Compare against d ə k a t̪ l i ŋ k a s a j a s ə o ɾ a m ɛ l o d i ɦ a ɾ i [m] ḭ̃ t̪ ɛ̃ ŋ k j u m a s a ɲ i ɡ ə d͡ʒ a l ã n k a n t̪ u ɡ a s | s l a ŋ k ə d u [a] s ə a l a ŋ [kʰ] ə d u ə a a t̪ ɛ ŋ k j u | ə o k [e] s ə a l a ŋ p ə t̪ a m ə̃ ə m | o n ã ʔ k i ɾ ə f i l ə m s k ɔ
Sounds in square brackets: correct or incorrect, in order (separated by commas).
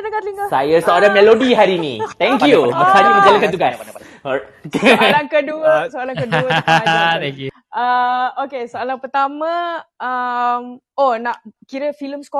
incorrect, incorrect, incorrect, correct